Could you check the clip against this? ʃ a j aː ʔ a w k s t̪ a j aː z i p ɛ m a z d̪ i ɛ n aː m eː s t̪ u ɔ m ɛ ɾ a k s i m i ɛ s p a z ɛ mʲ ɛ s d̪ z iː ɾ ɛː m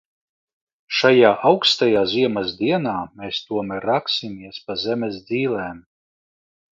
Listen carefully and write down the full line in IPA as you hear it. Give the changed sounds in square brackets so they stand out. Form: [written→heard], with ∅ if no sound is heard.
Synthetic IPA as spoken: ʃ a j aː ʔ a w k s t̪ a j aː z i [p→∅] ɛ m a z d̪ i ɛ n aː m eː s t̪ u ɔ m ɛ ɾ a k s i m i ɛ s p a z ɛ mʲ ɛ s d̪ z iː [ɾ→l] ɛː m